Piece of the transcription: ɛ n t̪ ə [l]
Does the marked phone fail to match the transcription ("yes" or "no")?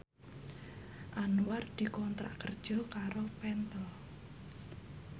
no